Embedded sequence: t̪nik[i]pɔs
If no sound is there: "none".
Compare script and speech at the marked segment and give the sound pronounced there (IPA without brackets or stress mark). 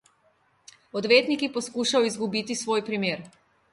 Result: i